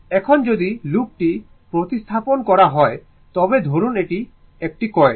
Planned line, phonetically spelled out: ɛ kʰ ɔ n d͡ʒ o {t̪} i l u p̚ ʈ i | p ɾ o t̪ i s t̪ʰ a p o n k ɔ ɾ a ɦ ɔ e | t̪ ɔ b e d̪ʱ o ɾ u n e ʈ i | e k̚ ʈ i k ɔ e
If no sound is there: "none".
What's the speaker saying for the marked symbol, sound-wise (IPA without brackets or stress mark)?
d̪